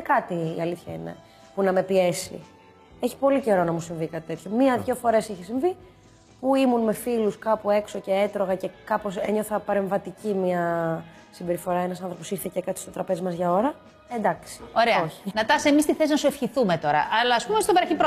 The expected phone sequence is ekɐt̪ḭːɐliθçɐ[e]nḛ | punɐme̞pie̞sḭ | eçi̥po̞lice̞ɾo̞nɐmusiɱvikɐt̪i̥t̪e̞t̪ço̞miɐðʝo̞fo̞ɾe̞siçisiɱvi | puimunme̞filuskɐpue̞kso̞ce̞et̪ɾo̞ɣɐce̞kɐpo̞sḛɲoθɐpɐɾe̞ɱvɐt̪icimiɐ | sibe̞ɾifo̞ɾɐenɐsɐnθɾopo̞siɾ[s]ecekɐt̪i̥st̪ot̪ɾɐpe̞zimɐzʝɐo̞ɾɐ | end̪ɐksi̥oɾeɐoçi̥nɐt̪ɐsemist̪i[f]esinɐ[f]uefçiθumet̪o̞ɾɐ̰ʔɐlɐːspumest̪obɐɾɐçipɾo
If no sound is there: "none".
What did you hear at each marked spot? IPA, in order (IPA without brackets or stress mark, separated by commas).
i, θ, θ, s